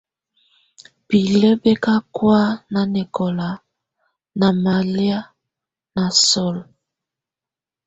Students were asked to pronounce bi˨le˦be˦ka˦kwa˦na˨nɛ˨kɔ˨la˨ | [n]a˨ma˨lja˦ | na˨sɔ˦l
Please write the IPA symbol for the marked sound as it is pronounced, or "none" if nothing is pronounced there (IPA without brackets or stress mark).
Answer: n